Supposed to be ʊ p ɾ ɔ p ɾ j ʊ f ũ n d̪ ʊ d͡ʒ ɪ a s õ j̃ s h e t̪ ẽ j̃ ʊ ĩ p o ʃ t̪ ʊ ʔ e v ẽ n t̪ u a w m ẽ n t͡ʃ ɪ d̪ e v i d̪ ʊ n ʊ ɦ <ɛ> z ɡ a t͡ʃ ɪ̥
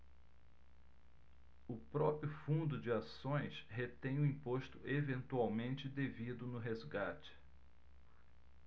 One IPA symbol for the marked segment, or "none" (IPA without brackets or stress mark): e